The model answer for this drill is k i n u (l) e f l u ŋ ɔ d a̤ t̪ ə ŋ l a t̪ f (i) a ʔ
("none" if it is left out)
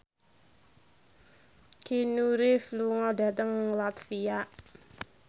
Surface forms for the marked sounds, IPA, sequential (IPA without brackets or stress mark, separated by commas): ɾ, i